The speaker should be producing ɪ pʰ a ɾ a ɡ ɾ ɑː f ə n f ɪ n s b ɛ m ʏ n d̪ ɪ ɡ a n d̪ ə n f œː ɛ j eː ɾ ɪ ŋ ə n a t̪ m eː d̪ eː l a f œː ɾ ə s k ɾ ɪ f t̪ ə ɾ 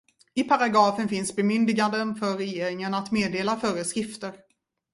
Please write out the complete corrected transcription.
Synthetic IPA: ɪ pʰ a ɾ a ɡ ɾ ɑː f ə n f ɪ n s b ɛ m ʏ n d̪ ɪ ɡ a n d̪ ə n f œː ɛ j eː ɾ ɪ ŋ ə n a t̪ m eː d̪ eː l a f œː ɾ ə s k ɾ ɪ f t̪ ə ɾ